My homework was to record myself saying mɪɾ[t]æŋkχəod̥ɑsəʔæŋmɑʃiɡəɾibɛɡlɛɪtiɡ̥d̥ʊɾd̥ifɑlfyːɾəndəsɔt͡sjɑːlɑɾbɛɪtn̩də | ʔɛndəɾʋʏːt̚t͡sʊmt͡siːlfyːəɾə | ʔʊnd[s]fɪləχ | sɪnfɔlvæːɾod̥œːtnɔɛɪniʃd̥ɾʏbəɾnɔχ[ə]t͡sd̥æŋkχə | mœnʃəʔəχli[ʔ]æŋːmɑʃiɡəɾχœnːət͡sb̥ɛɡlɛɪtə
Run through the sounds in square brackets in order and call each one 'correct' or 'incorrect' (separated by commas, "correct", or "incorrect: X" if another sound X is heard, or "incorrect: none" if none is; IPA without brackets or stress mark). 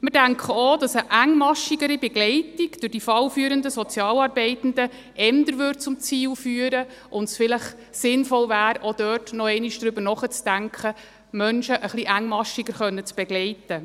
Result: incorrect: d, correct, correct, correct